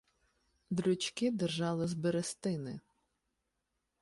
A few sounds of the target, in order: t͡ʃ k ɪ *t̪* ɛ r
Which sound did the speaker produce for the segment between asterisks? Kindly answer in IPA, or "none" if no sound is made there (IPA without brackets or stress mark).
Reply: d̪